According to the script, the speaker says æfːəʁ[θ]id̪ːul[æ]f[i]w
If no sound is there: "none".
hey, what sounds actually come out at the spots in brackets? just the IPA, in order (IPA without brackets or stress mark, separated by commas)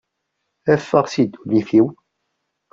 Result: s, i, i